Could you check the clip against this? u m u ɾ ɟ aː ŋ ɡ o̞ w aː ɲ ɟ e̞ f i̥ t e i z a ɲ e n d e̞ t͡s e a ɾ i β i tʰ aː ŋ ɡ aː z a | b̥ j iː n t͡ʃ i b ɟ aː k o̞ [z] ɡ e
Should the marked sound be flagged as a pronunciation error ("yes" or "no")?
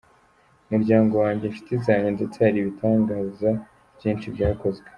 no